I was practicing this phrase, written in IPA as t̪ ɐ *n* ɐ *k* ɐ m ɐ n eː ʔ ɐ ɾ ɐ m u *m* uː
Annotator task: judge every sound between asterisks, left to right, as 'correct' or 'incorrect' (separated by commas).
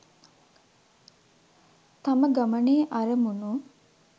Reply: incorrect, incorrect, incorrect